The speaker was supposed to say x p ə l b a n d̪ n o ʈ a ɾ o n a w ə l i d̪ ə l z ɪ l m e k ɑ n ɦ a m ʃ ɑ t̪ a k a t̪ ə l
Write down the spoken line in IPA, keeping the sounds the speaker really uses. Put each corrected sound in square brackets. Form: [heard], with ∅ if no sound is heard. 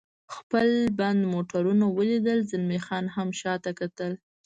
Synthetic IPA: x p ə l b a n d̪ [m] o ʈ a ɾ [u] n a w ə l i d̪ ə l z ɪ l m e [x] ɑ n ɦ a m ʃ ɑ t̪ a k a t̪ ə l